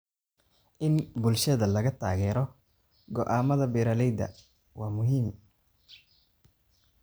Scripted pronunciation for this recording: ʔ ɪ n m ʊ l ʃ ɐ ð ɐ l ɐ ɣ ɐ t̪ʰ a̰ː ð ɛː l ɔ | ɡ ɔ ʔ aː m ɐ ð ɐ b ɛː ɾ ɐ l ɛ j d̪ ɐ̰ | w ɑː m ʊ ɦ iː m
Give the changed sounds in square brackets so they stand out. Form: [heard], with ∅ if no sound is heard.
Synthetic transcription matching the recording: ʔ ɪ n [b] ʊ l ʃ ɐ ð ɐ l ɐ ɣ ɐ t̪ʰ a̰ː [ɣ] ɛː [ɾ] ɔ | ɡ ɔ ʔ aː m ɐ ð ɐ b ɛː ɾ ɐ l ɛ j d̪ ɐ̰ | w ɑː m ʊ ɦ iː m